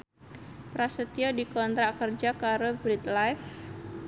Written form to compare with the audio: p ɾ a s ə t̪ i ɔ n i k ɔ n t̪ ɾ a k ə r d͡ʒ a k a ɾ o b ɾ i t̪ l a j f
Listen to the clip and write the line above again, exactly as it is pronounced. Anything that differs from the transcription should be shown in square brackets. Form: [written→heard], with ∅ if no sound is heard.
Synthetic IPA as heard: p ɾ a s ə t̪ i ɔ [n→d] i k ɔ n t̪ ɾ a k ə r d͡ʒ a k a ɾ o b ɾ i t̪ l a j f